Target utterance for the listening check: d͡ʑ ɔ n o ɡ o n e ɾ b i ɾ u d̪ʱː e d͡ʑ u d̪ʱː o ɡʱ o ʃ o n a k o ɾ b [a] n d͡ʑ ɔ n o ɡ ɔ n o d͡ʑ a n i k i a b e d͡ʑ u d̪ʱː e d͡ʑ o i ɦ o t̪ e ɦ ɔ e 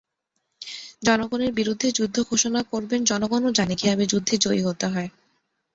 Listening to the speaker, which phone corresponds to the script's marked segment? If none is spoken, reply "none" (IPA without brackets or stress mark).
e